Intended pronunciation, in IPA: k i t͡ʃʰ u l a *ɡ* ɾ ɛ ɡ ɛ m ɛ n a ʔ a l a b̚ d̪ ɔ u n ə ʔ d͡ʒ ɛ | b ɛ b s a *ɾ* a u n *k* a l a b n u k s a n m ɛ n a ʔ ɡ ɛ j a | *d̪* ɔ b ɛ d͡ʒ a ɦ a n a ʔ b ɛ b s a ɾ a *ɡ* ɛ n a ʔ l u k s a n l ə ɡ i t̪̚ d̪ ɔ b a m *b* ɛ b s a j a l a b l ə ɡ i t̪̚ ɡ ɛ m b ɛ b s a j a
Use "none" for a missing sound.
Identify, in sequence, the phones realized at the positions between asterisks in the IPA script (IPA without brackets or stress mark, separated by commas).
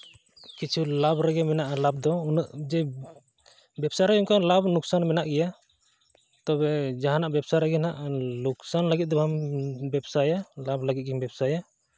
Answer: b, ɾ, k, t̪, ɡ, b